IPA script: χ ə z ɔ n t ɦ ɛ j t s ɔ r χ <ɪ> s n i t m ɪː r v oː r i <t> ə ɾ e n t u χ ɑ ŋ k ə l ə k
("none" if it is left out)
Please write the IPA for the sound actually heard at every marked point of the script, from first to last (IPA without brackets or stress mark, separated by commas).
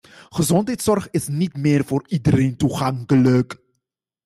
ɪ, d